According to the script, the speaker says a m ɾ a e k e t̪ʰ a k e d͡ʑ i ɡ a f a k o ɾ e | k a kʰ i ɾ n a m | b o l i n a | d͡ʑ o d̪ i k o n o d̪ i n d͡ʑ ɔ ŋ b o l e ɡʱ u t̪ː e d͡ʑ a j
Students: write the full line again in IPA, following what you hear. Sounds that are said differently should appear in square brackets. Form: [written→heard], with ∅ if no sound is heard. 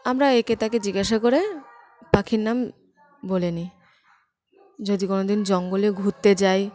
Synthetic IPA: a m ɾ a e k e [t̪ʰ→t̪] a k e d͡ʑ i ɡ a [f→ʃ] a k o ɾ e | [k→p] a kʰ i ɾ n a m | b o l [i→e] n [a→i] | d͡ʑ o d̪ i k o n o d̪ i n d͡ʑ ɔ ŋ [b→ɡ] o l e ɡʱ u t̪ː e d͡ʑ a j